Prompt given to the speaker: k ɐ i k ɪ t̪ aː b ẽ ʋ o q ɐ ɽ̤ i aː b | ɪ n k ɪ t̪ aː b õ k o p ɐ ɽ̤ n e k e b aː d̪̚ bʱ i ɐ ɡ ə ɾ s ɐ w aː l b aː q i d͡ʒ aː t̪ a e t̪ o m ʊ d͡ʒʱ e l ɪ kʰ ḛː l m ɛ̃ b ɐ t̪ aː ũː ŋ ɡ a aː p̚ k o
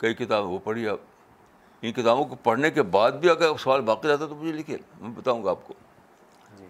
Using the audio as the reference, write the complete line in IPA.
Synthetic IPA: k ɐ i k ɪ t̪ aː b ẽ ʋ o p ɐ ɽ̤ i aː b | ɪ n k ɪ t̪ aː b õ k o p ɐ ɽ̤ n e k e b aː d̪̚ bʱ i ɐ ɡ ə ɾ s ɐ ʋ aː l b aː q i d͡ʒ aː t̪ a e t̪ o m ʊ d͡ʒʱ e l ɪ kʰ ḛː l m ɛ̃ b ɐ t̪ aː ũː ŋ ɡ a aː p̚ k o